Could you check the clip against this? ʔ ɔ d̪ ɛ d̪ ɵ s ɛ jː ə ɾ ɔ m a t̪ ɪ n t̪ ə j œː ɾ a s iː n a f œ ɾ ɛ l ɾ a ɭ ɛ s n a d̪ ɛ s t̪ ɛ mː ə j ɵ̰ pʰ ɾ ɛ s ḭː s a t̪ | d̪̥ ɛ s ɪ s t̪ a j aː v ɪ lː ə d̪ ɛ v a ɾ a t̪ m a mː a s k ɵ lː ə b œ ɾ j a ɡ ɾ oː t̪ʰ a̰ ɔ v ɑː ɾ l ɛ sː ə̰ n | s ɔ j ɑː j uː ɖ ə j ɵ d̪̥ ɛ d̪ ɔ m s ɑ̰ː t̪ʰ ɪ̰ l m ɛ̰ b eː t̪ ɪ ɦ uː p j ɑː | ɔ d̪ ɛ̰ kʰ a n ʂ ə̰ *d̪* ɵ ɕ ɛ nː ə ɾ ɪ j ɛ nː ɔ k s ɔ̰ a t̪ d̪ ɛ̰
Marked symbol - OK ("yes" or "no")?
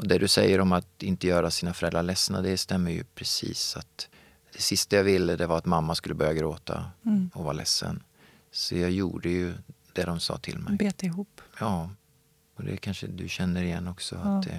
yes